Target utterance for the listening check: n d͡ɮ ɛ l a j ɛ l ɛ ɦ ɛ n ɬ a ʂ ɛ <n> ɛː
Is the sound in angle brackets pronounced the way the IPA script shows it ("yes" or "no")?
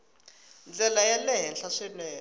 yes